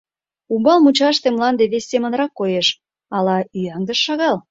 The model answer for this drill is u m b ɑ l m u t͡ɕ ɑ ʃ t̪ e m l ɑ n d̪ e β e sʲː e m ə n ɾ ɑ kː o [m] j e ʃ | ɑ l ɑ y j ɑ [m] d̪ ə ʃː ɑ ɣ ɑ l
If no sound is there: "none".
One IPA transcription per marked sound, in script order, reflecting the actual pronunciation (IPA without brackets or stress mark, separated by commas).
none, ŋ